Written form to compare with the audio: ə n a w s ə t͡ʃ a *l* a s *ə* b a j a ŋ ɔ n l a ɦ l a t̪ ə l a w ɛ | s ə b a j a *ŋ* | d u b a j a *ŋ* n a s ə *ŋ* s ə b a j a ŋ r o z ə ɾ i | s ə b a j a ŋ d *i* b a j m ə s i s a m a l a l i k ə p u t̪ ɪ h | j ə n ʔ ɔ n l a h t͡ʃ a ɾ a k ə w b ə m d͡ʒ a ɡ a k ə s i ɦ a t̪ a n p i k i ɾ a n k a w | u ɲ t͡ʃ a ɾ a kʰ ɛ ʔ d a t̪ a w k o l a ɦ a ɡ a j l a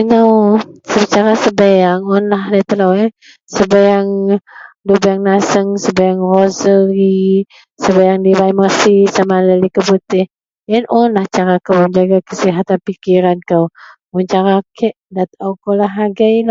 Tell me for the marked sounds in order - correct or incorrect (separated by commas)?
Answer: incorrect, correct, correct, correct, correct, correct